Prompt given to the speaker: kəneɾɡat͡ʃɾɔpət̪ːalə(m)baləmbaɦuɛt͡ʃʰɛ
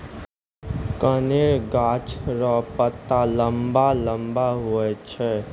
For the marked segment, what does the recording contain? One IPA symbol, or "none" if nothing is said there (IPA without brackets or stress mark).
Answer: m